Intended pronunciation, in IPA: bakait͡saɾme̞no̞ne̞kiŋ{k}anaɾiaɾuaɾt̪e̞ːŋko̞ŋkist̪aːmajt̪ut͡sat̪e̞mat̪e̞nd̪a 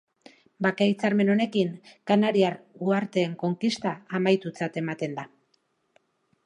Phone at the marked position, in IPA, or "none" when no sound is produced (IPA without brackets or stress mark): k